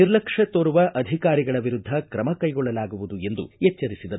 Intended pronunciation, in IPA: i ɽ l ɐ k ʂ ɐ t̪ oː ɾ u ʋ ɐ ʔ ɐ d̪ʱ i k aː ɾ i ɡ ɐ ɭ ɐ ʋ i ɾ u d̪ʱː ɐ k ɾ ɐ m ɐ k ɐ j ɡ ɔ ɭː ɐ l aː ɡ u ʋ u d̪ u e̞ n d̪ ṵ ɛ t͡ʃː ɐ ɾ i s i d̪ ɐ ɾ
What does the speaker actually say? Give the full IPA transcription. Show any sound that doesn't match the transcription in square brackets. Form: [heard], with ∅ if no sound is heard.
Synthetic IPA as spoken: i [ɾ] l ɐ k ʂ ɐ t̪ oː ɾ u ʋ ɐ ʔ ɐ d̪ʱ i k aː ɾ i ɡ ɐ ɭ ɐ ʋ i ɾ u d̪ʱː ɐ k ɾ ɐ m ɐ k ɐ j ɡ ɔ ɭː ɐ l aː ɡ u ʋ u d̪ u e̞ n d̪ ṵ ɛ t͡ʃː ɐ ɾ i s i d̪ ɐ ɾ